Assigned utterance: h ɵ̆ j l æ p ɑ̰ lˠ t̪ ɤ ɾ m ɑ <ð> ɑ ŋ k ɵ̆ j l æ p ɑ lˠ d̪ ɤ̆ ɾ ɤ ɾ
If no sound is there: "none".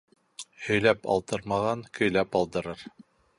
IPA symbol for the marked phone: ʁ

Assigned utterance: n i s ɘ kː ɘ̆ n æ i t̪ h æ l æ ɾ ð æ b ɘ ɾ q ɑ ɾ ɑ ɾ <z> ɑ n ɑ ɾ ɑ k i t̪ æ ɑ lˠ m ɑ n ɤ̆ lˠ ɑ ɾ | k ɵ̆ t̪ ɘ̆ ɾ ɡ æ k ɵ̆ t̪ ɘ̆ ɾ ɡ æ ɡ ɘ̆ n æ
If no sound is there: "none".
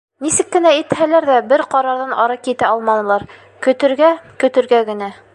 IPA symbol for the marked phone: ð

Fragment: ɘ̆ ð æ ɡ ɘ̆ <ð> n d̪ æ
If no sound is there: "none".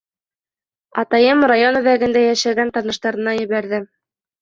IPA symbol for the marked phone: none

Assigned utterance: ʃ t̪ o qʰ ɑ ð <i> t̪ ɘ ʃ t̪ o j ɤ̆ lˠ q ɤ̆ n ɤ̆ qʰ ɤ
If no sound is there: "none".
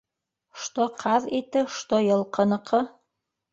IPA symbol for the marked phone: i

